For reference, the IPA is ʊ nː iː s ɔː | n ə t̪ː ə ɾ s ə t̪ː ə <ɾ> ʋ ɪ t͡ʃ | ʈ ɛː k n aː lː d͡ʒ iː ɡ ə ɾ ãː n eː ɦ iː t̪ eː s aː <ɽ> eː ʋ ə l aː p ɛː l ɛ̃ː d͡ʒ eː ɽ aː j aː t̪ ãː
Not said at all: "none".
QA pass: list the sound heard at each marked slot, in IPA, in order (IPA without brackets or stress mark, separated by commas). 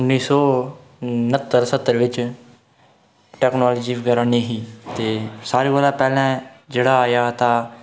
ɾ, ɾ